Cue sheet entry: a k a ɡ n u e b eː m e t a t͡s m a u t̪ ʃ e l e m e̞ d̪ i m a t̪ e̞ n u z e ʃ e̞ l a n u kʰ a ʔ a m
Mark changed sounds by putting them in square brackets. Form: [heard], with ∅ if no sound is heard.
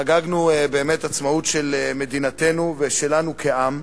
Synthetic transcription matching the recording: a [ɡ] a ɡ n u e b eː m e t a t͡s m a u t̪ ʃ e l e m e̞ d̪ i [n] a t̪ e̞ n u [v] e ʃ e̞ l a n u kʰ [e] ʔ a m